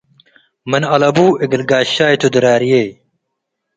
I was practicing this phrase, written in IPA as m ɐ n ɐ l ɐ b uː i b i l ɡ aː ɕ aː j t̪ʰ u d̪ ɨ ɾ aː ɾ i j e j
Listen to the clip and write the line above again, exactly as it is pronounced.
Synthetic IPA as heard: m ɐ n ɐ l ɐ b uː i ɡ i l ɡ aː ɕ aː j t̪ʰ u d̪ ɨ ɾ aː ɾ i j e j